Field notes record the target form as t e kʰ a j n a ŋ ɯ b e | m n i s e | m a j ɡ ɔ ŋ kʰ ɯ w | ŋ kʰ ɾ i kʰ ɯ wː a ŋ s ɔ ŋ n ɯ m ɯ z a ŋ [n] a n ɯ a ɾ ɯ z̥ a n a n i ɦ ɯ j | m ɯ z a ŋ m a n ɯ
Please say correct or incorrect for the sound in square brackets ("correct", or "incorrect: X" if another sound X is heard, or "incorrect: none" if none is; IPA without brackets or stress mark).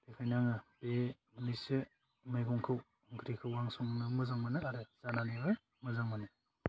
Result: incorrect: m